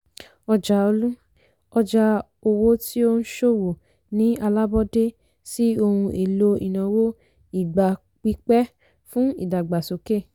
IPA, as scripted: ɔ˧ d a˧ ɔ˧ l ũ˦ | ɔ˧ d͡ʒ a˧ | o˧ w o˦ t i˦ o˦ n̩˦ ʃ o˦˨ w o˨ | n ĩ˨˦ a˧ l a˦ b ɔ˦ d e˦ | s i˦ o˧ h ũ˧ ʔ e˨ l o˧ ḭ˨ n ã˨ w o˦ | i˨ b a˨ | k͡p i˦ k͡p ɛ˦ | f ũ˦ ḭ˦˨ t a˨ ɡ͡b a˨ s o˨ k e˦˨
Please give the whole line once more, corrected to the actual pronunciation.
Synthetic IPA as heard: ɔ˧ d͡ʒ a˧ o˧ l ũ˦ | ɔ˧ d͡ʒ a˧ | o˧ w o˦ t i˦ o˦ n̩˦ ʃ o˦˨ w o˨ | n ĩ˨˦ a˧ l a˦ b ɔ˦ d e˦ | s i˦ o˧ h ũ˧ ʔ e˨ l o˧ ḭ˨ n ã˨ w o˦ | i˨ ɡ͡b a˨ | k͡p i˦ k͡p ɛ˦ | f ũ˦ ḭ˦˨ d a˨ ɡ͡b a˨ s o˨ k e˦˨